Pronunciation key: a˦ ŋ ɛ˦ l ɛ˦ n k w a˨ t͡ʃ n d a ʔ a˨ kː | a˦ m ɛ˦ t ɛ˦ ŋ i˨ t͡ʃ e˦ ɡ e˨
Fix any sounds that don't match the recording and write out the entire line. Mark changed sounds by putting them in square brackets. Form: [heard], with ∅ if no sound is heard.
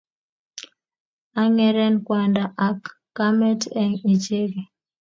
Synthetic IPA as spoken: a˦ ŋ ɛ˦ [ɾ] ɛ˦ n k w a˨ [∅] n d a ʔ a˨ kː | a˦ m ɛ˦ t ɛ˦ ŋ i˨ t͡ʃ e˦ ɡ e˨